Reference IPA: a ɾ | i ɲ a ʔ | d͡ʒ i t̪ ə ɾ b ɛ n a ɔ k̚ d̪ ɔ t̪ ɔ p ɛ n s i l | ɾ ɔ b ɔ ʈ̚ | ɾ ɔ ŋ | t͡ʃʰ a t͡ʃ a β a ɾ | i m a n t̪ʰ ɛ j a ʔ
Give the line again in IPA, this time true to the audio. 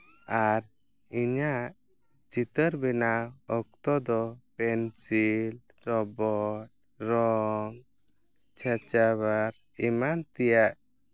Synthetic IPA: a ɾ | i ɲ a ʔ | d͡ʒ i t̪ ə ɾ b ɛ n a ɔ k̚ t̪ ɔ d̪ ɔ p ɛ n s i l | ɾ ɔ b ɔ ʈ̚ | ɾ ɔ ŋ | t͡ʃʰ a t͡ʃ a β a ɾ | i m a n t̪ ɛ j a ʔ